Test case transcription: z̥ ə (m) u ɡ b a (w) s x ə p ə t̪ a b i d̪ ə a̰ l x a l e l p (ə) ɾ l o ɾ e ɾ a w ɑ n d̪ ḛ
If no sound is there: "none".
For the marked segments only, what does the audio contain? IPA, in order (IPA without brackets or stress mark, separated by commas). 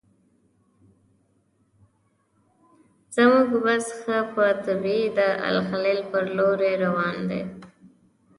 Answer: m, none, ə